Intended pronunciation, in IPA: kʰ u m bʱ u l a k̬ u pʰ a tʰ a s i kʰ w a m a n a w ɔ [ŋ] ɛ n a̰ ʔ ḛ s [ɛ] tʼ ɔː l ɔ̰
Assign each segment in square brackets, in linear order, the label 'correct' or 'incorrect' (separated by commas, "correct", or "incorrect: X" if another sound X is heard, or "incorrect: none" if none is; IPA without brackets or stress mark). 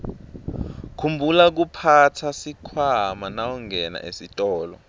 correct, incorrect: i